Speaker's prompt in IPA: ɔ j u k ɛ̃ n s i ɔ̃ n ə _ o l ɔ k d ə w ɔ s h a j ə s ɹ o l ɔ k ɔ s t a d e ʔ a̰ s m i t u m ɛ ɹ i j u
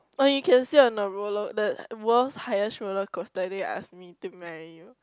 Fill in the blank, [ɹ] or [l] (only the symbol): ɹ